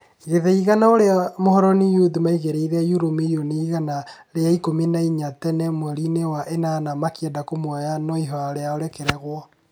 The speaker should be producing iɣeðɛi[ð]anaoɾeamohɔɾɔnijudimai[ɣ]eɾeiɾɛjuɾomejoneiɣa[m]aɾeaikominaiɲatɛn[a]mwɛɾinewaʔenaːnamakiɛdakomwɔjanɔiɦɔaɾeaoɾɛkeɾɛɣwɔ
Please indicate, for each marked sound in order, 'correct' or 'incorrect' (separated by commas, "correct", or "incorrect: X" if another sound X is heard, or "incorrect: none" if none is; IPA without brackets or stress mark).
incorrect: ɣ, correct, incorrect: n, incorrect: ɛ